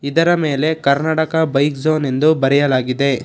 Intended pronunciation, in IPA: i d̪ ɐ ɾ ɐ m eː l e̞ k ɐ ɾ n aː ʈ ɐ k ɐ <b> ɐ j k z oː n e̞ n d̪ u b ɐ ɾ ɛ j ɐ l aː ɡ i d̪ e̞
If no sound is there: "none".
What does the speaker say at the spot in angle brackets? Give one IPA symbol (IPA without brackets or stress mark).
b